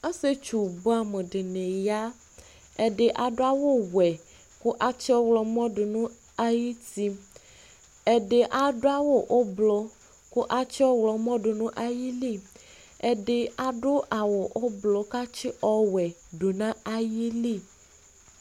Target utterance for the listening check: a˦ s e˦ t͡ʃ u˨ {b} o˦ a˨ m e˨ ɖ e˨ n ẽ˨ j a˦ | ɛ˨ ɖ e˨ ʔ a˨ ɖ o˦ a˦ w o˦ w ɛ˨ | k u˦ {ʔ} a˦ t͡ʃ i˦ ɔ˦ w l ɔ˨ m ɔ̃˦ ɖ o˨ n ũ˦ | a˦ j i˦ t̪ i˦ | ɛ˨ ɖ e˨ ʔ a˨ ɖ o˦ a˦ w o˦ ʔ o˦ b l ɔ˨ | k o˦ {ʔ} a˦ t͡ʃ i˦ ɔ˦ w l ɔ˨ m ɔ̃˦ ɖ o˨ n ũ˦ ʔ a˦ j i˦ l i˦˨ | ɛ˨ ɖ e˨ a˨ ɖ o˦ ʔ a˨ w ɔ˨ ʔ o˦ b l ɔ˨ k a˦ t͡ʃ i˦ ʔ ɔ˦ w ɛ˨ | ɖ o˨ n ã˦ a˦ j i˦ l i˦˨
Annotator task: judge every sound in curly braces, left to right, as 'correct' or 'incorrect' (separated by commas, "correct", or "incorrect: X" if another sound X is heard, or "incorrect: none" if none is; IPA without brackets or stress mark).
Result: correct, correct, correct